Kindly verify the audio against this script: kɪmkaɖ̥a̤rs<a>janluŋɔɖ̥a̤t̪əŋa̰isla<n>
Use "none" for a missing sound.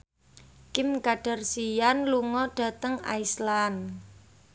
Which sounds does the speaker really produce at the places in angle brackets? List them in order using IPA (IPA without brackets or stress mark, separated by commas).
i, n